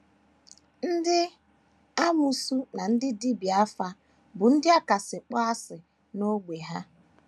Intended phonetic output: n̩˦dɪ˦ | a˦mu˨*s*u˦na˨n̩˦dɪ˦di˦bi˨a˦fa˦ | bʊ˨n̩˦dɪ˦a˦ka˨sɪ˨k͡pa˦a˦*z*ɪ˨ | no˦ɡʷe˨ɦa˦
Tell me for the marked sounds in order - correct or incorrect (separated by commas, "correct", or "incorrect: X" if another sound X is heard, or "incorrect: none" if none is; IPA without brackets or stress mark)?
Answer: correct, incorrect: s